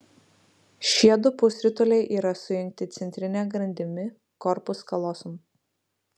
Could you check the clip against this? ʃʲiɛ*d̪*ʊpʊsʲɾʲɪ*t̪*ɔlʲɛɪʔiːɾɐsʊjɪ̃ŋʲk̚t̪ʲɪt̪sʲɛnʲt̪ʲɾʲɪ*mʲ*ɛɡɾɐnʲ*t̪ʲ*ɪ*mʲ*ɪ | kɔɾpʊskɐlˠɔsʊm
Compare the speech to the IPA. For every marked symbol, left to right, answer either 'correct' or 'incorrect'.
correct, correct, incorrect: nʲ, incorrect: d̪ʲ, correct

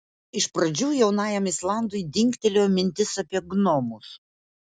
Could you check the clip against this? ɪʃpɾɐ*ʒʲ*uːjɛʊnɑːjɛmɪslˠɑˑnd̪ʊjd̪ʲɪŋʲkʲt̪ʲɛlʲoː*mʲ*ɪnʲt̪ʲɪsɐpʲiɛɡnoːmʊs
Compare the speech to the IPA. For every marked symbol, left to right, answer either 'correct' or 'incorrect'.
incorrect: d͡ʒʲ, correct

